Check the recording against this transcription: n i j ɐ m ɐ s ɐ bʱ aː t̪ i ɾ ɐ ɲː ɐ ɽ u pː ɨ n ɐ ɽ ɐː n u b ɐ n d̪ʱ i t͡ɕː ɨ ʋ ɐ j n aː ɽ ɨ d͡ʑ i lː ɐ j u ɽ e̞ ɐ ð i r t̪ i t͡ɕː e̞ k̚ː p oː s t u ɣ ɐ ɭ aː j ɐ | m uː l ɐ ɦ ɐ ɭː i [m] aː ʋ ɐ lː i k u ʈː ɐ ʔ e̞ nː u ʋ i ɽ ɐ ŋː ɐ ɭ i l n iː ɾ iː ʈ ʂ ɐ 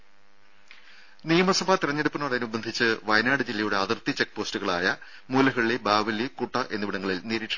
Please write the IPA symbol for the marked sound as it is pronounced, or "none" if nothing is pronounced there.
b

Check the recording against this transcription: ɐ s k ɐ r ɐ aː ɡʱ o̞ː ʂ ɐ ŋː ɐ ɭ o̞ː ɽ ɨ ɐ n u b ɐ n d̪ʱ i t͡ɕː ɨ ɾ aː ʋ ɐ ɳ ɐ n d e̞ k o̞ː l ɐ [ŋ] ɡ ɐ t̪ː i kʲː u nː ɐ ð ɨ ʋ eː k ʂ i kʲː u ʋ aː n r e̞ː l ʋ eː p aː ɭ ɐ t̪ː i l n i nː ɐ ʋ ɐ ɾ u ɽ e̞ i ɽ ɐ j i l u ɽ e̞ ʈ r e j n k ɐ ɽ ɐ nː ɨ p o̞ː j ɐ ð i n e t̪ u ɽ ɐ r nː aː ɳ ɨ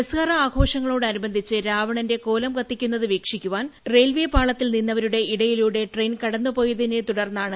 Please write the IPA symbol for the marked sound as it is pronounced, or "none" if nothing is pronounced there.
m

